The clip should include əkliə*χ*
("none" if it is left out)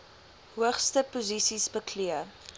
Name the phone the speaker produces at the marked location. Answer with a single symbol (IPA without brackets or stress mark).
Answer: none